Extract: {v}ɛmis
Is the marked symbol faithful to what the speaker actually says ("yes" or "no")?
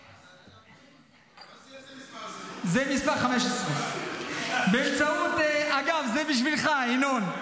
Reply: no